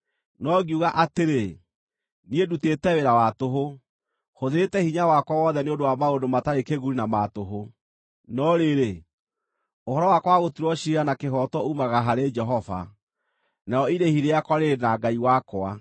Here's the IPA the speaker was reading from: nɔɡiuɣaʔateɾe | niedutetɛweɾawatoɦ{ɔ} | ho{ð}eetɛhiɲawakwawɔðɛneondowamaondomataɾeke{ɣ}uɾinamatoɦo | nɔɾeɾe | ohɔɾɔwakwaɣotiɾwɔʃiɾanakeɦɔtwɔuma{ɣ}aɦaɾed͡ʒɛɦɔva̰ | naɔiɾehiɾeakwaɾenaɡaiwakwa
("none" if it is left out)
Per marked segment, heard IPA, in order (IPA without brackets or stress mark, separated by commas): o, ð, ɣ, ɣ